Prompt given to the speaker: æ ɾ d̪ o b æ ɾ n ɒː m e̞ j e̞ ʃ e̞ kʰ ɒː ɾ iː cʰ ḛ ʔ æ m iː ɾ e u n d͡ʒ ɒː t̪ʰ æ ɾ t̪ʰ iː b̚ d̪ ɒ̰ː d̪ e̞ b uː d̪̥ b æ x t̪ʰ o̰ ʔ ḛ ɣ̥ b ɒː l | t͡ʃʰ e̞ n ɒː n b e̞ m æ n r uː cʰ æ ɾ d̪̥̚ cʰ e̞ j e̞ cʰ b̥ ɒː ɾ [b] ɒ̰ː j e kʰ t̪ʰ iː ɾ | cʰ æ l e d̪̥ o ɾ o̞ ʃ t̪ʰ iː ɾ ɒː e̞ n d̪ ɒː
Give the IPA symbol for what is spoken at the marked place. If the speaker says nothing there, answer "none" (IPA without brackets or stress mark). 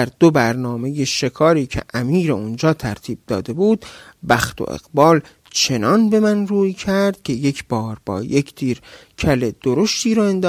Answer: b